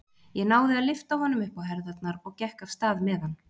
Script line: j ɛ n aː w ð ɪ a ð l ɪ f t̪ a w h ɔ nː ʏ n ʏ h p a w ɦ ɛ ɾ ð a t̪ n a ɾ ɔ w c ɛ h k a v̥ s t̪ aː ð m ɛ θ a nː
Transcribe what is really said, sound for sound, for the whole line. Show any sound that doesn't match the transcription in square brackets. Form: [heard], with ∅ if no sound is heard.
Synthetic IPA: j ɛ n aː w ð ɪ a ð l ɪ f t̪ a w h ɔ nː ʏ [m] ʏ h p a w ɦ ɛ ɾ ð a t̪ n a ɾ ɔ [ɣ] c ɛ h k a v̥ s t̪ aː ð m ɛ [ð] a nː

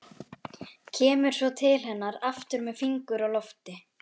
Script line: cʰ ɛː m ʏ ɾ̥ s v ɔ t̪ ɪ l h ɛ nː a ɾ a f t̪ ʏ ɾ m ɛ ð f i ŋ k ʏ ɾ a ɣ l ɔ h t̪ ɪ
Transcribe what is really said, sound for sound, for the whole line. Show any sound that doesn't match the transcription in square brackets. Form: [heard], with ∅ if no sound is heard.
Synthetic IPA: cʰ ɛː m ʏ ɾ̥ s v ɔ [t̪ʰ] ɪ l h ɛ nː a ɾ a f t̪ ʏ ɾ m ɛ ð f i ŋ k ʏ ɾ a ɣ l ɔ [f] t̪ ɪ

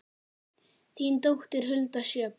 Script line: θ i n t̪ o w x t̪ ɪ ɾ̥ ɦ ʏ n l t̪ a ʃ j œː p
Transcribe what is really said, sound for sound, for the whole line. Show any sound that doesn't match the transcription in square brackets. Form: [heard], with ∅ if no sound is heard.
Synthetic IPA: θ i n t̪ o w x t̪ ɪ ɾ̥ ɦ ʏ [∅] l t̪ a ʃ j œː p

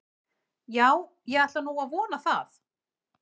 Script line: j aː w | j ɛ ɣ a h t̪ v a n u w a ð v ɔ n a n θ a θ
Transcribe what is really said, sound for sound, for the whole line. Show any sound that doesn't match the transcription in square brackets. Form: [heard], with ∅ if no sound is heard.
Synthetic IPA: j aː w | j ɛ ɣ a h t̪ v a n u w a ð v [ɔː] n a [∅] θ a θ

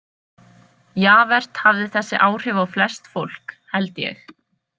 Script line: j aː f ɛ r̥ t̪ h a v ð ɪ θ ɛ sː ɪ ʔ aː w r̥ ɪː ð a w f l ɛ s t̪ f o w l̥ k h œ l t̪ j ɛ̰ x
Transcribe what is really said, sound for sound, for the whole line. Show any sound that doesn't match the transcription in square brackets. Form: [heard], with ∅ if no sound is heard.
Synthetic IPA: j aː [v] ɛ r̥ t̪ h a v ð ɪ θ ɛ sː ɪ ʔ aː w r̥ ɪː [v] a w f l ɛ s t̪ f o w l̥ k h [ɛ] l t̪ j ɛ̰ x

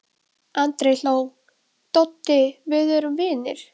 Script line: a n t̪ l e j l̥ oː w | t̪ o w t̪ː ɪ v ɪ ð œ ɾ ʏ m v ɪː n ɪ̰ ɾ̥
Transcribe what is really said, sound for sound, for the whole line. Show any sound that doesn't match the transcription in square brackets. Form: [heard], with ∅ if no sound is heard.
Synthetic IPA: a n t̪ [ɾ] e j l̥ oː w | t̪ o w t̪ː ɪ v ɪ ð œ ɾ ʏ m v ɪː n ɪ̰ ɾ̥

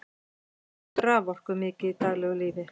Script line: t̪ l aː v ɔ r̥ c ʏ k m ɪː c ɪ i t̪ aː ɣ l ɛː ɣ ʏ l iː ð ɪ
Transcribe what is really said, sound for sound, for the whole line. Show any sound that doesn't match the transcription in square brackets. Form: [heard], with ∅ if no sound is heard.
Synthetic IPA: t̪ [ɾ] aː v ɔ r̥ [k] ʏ [∅] m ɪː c ɪ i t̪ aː ɣ l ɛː ɣ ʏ l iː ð ɪ

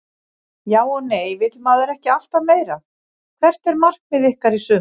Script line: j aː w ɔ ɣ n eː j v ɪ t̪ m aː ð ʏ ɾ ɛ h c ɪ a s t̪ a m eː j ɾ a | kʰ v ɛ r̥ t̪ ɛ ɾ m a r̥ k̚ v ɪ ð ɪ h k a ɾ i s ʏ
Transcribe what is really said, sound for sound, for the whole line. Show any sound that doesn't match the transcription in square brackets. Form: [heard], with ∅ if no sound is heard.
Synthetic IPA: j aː w ɔ ɣ n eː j v ɪ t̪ m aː ð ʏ ɾ ɛ h c ɪ a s t̪ a m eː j ɾ a | kʰ v ɛ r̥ t̪ ɛ ɾ m a r̥ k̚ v ɪ ð ɪ h k a ɾ i s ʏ

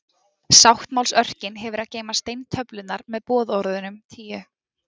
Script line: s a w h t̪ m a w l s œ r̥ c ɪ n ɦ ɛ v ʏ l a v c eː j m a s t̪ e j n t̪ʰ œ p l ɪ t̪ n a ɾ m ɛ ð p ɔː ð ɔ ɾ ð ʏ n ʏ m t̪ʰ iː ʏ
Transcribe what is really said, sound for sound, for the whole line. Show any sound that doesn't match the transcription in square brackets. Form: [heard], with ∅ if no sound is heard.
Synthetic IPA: s a w h t̪ m a w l s œ r̥ c ɪ n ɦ ɛ v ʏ [ɾ] a [ð] c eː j m a s t̪ e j n t̪ʰ œ p l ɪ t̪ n a ɾ m ɛ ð p ɔː ð ɔ ɾ ð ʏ n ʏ m t̪ʰ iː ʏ

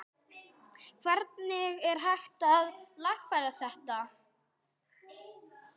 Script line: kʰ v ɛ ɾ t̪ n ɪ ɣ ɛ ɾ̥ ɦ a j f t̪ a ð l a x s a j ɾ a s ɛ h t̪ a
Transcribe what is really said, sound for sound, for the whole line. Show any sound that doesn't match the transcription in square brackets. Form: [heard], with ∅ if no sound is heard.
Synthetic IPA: kʰ v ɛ ɾ t̪ n ɪ ɣ ɛ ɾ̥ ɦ a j [x] t̪ a ð l a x [f] a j ɾ a [θ] ɛ h t̪ a

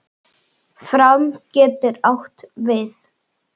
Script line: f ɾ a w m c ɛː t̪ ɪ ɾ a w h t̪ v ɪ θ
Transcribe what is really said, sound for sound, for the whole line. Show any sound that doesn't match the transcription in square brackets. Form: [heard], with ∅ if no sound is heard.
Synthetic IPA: f ɾ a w m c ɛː t̪ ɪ ɾ a w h t̪ v ɪ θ

